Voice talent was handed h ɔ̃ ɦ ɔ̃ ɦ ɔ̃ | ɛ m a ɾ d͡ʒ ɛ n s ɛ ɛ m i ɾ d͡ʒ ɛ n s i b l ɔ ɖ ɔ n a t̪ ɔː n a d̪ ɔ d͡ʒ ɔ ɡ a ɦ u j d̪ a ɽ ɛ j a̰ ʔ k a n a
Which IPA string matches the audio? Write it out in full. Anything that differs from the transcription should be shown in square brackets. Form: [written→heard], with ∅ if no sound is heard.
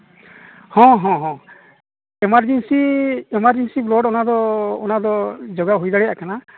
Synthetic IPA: h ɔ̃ ɦ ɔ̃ ɦ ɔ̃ | ɛ m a ɾ d͡ʒ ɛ n s [ɛ→i] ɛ m [i→a] ɾ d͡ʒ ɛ n s i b l ɔ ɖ ɔ n a [t̪→d̪] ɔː n a d̪ ɔ d͡ʒ ɔ ɡ a ɦ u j d̪ a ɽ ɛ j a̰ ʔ k a n a